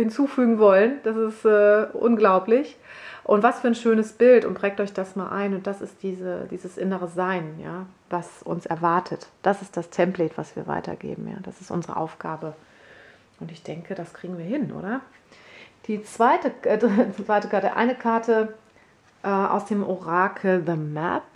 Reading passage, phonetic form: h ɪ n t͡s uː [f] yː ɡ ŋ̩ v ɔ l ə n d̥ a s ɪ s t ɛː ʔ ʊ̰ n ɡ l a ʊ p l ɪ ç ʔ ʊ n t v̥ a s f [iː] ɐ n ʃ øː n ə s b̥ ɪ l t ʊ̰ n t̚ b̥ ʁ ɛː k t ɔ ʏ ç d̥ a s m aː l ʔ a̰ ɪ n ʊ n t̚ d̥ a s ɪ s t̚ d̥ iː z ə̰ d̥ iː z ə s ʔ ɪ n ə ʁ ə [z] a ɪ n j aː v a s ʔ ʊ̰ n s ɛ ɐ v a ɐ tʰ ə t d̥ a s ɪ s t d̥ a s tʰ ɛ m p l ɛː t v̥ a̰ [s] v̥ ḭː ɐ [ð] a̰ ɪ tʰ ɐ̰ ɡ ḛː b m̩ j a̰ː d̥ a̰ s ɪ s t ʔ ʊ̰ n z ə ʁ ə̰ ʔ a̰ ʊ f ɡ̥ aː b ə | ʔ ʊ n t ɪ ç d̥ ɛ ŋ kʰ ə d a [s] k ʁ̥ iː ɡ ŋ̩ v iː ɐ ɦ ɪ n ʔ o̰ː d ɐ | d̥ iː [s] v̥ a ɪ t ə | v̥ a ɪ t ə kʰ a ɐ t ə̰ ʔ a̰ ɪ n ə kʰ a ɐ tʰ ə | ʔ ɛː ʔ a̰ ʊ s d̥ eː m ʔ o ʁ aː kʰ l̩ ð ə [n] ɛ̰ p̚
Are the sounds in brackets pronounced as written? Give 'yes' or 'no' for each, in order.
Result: yes, no, yes, yes, no, yes, no, no

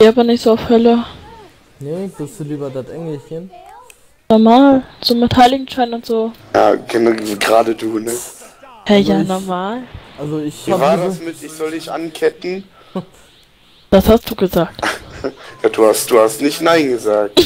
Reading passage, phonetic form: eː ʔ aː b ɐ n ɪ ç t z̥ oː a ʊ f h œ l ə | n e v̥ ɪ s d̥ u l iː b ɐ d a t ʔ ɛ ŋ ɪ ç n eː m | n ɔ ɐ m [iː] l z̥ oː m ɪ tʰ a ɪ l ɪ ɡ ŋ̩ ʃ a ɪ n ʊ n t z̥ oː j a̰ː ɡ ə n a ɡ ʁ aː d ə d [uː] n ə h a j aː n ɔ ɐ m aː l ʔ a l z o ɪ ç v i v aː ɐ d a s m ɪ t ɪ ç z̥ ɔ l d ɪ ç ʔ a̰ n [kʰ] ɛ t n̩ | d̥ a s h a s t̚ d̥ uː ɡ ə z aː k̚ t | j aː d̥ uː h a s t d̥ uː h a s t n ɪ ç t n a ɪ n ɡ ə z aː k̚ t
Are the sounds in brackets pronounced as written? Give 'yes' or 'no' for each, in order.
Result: no, yes, yes

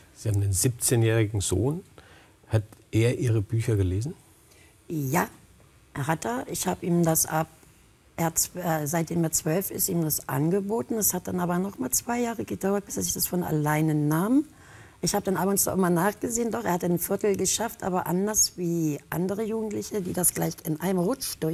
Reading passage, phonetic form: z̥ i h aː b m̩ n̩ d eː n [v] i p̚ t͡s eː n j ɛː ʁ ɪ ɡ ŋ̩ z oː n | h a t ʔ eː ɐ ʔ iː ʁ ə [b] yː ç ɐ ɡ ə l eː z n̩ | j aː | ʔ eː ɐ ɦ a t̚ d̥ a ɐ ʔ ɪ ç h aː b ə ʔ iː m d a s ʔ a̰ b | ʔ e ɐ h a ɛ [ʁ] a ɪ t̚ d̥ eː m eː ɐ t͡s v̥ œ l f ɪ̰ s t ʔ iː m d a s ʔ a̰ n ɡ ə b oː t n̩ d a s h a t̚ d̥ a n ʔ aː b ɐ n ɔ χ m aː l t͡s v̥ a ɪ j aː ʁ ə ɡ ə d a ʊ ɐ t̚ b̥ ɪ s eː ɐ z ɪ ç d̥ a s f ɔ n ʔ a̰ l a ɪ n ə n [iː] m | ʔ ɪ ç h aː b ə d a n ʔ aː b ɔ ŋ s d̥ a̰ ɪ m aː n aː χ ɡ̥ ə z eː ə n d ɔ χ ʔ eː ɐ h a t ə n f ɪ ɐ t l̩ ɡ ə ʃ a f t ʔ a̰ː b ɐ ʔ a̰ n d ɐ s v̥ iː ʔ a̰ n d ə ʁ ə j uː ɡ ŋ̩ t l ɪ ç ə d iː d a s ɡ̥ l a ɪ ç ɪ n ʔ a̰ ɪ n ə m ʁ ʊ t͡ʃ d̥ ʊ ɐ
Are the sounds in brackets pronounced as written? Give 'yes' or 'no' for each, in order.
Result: no, yes, no, no

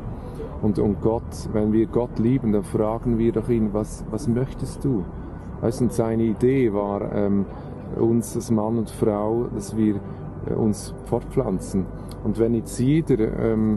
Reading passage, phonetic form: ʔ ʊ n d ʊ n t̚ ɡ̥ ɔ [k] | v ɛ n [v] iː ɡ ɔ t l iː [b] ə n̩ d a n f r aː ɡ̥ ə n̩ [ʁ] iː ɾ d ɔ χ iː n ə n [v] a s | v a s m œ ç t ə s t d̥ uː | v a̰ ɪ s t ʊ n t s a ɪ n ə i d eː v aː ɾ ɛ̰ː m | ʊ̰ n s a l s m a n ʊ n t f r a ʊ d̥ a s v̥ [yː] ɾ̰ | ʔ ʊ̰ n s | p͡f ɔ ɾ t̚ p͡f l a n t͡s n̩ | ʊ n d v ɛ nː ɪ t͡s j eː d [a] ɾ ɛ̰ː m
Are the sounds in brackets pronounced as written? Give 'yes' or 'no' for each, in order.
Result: no, yes, yes, no, yes, no, no

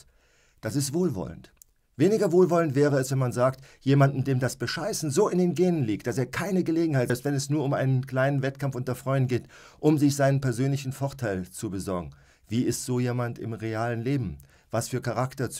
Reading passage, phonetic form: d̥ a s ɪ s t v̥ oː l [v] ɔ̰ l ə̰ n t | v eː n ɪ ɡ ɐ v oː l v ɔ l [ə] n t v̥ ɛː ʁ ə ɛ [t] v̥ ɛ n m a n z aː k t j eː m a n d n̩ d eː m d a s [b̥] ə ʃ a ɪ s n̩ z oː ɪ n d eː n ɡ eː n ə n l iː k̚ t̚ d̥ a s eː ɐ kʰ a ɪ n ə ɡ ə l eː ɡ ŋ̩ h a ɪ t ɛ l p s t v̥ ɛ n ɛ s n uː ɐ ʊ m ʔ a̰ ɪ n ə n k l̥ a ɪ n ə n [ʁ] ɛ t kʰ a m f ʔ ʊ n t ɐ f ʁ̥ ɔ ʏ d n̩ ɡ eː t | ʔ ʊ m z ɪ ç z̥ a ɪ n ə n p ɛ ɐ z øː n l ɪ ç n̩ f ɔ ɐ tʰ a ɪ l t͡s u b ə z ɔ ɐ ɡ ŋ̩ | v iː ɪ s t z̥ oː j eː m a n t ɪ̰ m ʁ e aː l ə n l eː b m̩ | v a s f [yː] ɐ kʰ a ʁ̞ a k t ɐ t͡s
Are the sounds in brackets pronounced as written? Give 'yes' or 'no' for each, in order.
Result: yes, yes, no, yes, no, yes

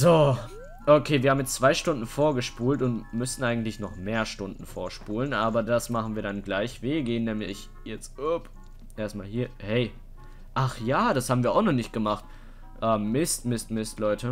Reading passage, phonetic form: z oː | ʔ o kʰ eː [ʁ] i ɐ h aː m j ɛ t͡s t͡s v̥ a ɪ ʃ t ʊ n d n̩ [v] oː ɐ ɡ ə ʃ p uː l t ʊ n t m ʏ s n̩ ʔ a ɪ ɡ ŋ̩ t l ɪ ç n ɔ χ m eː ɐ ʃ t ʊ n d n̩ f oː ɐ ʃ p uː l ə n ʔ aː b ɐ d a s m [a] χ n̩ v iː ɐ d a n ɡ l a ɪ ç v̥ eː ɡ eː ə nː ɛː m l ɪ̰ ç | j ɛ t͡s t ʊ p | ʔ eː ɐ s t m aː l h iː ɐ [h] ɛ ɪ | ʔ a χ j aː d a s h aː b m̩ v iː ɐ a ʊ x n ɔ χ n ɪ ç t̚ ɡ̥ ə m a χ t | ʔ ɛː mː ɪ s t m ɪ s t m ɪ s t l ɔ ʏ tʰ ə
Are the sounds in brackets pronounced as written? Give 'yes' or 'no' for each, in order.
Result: no, no, yes, yes

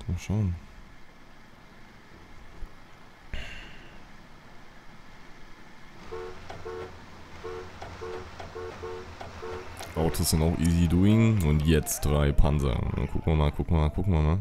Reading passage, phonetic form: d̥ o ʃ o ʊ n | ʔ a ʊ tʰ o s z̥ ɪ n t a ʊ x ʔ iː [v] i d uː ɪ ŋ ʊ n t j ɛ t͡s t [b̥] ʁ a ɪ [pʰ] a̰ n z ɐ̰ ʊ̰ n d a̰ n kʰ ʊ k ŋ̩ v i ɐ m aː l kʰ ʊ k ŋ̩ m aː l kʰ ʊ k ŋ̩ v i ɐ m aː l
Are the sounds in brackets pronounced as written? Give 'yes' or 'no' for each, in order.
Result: no, no, yes

